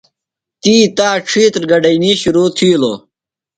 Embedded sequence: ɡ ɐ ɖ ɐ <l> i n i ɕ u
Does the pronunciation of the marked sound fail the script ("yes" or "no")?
yes